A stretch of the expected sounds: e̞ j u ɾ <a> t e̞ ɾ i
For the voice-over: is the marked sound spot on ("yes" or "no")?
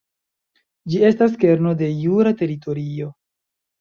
yes